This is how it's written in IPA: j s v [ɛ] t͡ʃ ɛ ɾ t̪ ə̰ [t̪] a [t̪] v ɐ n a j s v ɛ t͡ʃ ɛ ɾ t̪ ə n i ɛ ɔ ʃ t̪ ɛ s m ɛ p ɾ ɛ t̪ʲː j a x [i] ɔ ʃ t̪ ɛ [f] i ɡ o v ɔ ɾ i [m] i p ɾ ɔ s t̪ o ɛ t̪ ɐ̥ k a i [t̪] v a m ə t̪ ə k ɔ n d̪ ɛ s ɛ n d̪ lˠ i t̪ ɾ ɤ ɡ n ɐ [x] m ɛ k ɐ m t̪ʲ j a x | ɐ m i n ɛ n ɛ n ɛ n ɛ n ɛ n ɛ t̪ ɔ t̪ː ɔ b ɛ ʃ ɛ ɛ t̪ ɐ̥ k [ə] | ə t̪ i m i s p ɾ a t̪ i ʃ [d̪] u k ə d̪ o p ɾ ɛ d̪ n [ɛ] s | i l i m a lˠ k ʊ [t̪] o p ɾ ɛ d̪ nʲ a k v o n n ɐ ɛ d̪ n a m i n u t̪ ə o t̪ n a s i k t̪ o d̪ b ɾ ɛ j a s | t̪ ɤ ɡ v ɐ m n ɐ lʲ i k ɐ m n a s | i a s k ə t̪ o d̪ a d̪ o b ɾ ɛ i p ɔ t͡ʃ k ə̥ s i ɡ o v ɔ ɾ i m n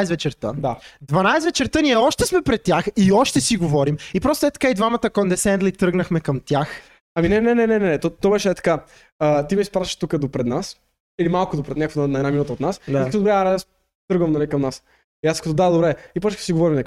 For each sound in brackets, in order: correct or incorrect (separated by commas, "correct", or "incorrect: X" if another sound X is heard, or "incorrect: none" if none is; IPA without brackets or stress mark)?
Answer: correct, incorrect: d̪, incorrect: d̪, correct, incorrect: s, correct, incorrect: d̪, correct, incorrect: a, incorrect: t̪, incorrect: a, incorrect: d̪